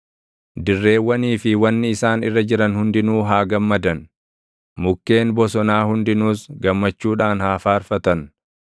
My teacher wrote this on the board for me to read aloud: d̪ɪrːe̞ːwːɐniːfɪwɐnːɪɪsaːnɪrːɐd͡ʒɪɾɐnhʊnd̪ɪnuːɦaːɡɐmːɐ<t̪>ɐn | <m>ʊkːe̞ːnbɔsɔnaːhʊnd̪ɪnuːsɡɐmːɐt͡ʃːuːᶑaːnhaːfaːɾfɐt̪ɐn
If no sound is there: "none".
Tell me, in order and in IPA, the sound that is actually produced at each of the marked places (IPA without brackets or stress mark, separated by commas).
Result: d̪, m